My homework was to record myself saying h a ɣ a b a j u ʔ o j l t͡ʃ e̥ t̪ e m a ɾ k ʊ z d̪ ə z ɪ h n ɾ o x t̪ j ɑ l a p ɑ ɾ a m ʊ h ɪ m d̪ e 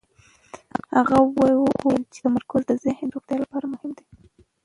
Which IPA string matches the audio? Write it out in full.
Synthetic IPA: h a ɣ a w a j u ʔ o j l t͡ʃ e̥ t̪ a m a ɾ k ʊ z d̪ ə z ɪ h n ɾ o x t̪ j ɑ l a p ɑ ɾ a m ʊ h ɪ m d̪ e